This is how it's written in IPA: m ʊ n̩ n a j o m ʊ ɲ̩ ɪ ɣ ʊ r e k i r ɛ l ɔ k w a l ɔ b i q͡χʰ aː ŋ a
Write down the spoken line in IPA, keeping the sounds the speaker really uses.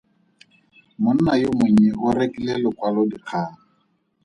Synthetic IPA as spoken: m ʊ n̩ n a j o m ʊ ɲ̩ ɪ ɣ ʊ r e k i l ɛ l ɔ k w a l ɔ d i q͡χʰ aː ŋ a